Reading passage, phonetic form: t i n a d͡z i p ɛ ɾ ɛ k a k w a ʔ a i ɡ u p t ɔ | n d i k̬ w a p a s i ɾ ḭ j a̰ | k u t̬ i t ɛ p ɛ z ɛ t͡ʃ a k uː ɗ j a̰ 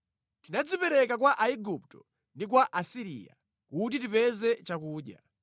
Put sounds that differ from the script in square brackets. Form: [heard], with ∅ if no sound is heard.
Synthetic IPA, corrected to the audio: t i n a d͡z i p ɛ ɾ ɛ k a k w a ʔ a i ɡ u p t ɔ | n d i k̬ w a [ʔ] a s i ɾ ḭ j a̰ | k u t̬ i t [i] p ɛ z ɛ t͡ʃ a k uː ɗ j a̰

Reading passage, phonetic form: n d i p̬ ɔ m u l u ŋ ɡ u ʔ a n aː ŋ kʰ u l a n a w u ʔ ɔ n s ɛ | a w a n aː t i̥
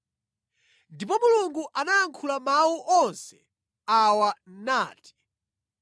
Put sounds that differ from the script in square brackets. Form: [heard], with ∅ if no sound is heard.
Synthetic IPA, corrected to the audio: n d i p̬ ɔ m u l u ŋ ɡ u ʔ a n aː ŋ kʰ u l a [m] a w u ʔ ɔ n s ɛ | a w a n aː t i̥

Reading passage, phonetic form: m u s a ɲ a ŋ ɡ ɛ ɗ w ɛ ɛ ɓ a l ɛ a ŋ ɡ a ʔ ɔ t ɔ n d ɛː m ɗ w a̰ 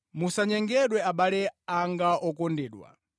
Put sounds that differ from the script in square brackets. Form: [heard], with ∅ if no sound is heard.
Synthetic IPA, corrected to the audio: m u s a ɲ [ɛ] ŋ ɡ ɛ ɗ w ɛ [a] ɓ a l ɛ a ŋ ɡ a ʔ ɔ [k] ɔ n d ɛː [∅] ɗ w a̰

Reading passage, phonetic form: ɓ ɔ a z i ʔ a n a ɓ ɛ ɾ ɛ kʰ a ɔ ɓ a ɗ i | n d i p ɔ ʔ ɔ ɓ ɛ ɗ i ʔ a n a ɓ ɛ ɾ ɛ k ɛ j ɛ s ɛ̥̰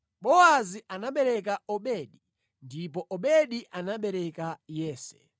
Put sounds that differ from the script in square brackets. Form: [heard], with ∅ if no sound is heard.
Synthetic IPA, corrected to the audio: ɓ ɔ a z i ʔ a n a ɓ ɛ ɾ ɛ [k] a ɔ ɓ [ɛ] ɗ i | n d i p ɔ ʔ ɔ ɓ ɛ ɗ i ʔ a n a ɓ ɛ ɾ ɛ k [a] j [ɛː] s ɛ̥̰

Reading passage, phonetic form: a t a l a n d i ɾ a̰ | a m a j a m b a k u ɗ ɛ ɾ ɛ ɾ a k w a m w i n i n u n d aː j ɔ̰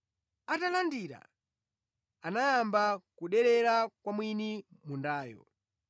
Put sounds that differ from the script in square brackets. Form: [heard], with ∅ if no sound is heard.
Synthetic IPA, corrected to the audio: a t a l a n d i ɾ a̰ | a [n] a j a m b a k u ɗ ɛ ɾ ɛ ɾ a k w a m w i n i [m] u n d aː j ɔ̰

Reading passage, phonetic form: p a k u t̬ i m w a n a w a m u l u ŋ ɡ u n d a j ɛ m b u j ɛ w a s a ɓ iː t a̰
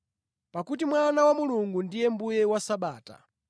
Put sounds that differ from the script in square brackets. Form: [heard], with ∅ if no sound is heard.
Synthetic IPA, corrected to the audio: p a k u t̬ i m w a n a w a m u l u ŋ ɡ u n d [i] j ɛ m b u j ɛ w a s a ɓ [aː] t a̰

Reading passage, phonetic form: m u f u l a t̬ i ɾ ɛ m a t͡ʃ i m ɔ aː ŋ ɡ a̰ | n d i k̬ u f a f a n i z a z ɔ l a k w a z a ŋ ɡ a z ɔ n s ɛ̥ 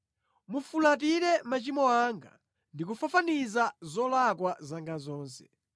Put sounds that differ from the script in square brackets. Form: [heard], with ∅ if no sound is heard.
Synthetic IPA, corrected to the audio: m u f u l a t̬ i ɾ ɛ m a t͡ʃ i m ɔ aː ŋ ɡ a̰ | n d i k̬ u f a f a n i z a z ɔ l a k w a z a ŋ ɡ a z [ɔː] n s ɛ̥

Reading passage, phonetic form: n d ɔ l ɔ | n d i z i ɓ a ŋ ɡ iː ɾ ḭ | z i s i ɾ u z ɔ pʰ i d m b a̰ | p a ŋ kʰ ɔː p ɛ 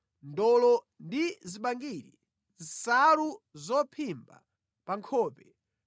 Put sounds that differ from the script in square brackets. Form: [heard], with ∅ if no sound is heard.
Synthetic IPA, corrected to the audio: n d ɔ l ɔ | n d i z i ɓ a ŋ ɡ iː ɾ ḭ | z i s [a] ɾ u z ɔ pʰ i [∅] m b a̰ | p a ŋ kʰ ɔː p ɛ

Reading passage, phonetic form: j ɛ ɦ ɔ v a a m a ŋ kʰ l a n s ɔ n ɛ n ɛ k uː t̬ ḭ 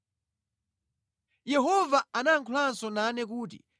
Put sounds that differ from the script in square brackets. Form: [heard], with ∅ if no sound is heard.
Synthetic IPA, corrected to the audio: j ɛ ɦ ɔ v a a [n] a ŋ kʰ l a n s ɔ n [a] n ɛ k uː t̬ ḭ

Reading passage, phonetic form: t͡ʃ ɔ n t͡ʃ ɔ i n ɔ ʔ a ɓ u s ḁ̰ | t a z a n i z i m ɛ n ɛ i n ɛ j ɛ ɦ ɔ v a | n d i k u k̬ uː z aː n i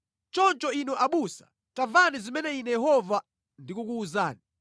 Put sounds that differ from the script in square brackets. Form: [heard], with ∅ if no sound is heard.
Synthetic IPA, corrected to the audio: t͡ʃ ɔ n t͡ʃ ɔ i n ɔ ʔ a ɓ u s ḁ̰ | t a [v] a n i z i m ɛ n ɛ i n ɛ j ɛ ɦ ɔ v a | n d i k u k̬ uː z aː n i

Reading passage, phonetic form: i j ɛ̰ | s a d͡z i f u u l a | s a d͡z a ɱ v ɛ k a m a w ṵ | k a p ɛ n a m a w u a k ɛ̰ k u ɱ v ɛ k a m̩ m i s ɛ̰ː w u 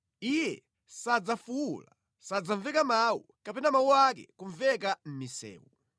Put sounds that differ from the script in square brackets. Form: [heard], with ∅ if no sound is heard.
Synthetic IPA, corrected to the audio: i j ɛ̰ | s a d͡z [a] f u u l a | s a d͡z a ɱ v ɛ k a m a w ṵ | k a p ɛ n a m a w u a k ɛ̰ k u ɱ v ɛ k a m̩ m i s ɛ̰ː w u

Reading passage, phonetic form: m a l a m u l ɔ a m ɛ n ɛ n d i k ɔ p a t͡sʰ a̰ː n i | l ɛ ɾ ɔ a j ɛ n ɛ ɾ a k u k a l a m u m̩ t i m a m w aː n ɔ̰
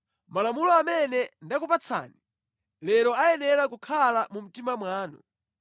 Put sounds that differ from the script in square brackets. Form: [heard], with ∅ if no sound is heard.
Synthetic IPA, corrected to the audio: m a l a m u l ɔ a m ɛ n ɛ n d [a] k [u] p a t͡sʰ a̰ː n i | l ɛ ɾ ɔ a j ɛ n ɛ ɾ a k u [kʰ] a l a m u m̩ t i m a m w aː n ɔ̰

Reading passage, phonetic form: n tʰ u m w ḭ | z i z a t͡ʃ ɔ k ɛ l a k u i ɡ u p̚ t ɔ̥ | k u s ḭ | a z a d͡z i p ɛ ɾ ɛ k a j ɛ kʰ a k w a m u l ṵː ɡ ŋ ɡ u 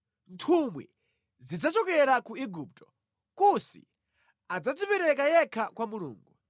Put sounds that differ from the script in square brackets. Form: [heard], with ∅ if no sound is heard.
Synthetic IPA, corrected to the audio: n tʰ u m w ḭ | z i [d͡z] a t͡ʃ ɔ k ɛ [ɾ] a k u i ɡ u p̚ t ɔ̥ | k u s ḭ | a [d͡z] a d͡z i p ɛ ɾ ɛ k a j ɛ kʰ a k w a m u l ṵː [∅] ŋ ɡ u

